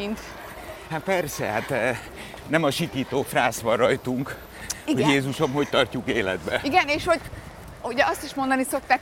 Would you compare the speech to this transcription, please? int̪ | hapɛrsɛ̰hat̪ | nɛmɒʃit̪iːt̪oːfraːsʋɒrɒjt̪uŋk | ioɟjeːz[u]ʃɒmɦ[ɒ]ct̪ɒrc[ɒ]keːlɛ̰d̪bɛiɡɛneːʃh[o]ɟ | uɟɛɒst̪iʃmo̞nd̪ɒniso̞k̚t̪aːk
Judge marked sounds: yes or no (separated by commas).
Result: yes, no, no, yes